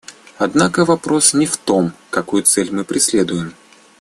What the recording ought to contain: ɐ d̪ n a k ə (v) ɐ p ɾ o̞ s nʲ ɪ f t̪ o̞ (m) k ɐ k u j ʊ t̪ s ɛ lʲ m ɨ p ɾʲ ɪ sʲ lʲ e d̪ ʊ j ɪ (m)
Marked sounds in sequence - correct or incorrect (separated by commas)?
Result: correct, correct, correct